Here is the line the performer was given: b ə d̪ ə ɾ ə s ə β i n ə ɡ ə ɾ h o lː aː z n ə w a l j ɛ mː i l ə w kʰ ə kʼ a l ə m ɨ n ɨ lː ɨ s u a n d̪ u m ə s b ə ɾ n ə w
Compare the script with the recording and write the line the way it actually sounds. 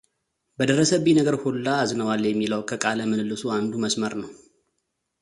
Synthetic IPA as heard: b ə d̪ ə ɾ ə s ə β i n ə ɡ ə ɾ h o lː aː z n ə w a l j ɛ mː i l ə w kʰ ə kʼ a l ə m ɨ n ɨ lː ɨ s u a n d̪ u m ə s m ə ɾ n ə w